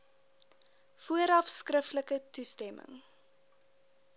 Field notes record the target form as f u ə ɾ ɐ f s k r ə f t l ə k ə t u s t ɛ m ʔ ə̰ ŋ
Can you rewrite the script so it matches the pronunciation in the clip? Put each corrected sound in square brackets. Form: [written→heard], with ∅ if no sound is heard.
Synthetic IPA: f u ə ɾ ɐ f s k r ə f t l ə k ə t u s t ɛ m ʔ ə̰ ŋ